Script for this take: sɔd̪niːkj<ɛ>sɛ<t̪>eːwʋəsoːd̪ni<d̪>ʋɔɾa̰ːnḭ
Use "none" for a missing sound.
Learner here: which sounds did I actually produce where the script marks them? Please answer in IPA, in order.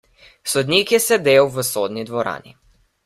ɛ, d̪, d̪

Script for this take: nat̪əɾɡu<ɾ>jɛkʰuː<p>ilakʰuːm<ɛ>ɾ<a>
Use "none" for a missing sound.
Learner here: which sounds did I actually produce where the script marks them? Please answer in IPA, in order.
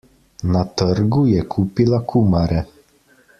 none, p, a, ɛ

